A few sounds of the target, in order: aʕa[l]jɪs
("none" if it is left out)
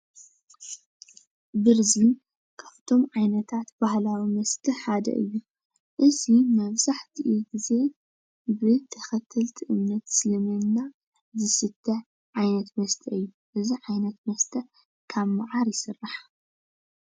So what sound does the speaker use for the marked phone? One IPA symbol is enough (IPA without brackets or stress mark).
ɾ